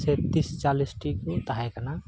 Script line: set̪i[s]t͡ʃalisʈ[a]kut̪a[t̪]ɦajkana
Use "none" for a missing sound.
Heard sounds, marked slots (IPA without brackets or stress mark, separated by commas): s, i, none